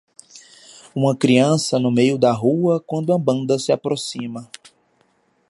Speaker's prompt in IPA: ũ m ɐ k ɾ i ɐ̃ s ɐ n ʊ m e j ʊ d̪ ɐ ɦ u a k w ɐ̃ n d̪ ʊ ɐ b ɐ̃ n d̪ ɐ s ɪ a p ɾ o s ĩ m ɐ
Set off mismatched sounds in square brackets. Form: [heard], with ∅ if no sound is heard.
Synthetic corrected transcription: ũ m ɐ k ɾ i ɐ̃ s ɐ n ʊ m e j ʊ d̪ ɐ ɦ u [ɐ] k w ɐ̃ n d̪ ʊ ɐ b ɐ̃ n d̪ ɐ s ɪ a p ɾ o s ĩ m ɐ